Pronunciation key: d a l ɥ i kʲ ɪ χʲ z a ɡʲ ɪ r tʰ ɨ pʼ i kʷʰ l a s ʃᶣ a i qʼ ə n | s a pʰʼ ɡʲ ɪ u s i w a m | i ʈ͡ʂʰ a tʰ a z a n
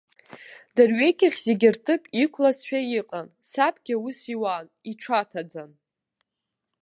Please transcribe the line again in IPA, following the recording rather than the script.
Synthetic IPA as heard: d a r ɥ e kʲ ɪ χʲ z e ɡʲ ɪ r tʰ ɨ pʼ i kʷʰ l a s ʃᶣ a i qʼ a n | s a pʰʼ ɡʲ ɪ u s i w a n | i ʈ͡ʂʰ a tʰ a d͡z a n